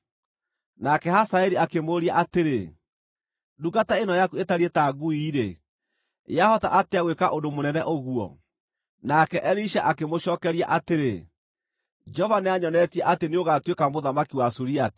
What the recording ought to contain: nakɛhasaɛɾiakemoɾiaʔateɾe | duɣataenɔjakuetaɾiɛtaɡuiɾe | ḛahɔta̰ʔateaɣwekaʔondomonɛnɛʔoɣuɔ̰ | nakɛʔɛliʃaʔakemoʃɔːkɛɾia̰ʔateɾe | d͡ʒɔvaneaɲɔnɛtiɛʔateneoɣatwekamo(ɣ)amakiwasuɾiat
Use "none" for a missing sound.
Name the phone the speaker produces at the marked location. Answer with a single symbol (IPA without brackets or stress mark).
ð